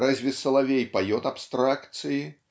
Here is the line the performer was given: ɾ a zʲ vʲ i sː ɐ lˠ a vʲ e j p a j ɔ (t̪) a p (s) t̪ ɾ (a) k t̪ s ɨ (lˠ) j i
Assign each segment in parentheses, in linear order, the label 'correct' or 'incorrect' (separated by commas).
correct, correct, correct, incorrect